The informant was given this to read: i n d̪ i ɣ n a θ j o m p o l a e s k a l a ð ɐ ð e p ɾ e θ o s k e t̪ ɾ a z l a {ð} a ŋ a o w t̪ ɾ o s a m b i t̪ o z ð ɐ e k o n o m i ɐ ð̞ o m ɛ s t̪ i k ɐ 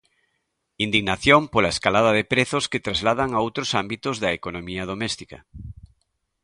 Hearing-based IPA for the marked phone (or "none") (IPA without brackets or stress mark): ð